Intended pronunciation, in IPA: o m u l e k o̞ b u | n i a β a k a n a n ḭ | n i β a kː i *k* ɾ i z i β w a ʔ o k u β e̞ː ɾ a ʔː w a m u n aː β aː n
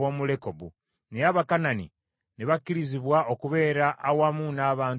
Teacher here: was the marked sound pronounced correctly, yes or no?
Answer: no